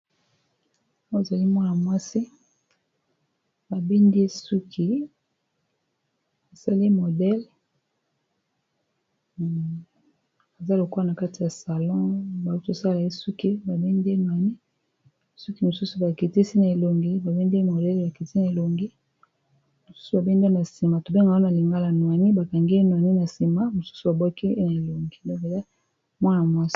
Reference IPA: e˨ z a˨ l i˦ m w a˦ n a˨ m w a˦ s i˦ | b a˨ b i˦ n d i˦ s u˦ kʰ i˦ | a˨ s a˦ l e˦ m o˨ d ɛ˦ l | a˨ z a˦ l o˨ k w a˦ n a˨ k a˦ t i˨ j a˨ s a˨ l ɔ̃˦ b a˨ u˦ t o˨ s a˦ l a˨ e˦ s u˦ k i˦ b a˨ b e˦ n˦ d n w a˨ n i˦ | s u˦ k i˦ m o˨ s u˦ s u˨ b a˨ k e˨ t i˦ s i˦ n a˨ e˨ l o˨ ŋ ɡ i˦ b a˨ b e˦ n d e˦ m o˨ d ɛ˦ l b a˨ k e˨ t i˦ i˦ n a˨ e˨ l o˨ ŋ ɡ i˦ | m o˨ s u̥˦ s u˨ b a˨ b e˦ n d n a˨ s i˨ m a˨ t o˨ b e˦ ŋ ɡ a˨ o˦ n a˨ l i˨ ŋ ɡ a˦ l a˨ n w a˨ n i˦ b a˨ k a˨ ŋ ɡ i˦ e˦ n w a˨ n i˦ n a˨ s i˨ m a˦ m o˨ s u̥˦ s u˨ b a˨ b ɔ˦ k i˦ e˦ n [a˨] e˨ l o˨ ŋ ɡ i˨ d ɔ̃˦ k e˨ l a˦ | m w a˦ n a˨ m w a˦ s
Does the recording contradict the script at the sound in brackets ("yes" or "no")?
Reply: no